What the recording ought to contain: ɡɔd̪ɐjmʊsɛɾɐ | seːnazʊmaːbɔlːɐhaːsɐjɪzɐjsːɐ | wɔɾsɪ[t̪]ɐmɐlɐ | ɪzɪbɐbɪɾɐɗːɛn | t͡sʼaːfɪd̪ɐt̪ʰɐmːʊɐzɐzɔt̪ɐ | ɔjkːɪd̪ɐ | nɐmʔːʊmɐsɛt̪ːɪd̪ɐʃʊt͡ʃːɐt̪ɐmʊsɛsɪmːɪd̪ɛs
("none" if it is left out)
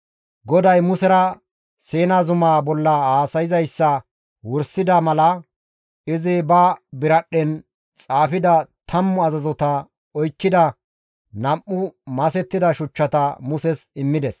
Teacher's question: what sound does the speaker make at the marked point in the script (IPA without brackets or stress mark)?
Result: d̪